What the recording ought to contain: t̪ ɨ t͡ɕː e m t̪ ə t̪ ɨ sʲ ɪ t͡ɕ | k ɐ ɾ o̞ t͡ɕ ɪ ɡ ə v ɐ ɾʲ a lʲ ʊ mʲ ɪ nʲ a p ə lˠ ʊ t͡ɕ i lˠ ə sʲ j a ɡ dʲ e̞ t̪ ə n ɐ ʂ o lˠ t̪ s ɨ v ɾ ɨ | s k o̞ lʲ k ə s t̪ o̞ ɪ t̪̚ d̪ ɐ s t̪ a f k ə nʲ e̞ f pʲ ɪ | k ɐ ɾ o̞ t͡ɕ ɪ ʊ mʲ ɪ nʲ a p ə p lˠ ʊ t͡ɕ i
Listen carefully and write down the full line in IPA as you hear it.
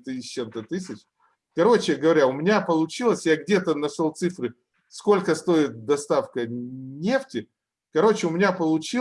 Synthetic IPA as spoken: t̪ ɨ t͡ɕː e m t̪ ə t̪ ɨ sʲ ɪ t͡ɕ | k ɐ ɾ o̞ t͡ɕ ɪ ɡ ə v ɐ ɾʲ a ʊ mʲ ɪ nʲ a p ə lˠ ʊ t͡ɕ i lˠ ə sʲ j a ɡ dʲ e̞ t̪ ə n ɐ ʂ o lˠ t̪ s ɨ f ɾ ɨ | s k o̞ lʲ k ə s t̪ o̞ ɪ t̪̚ d̪ ɐ s t̪ a f k ə nʲ e̞ f tʲ ɪ | k ɐ ɾ o̞ t͡ɕ ɪ ʊ mʲ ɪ nʲ a p ə lˠ ʊ t͡ɕ i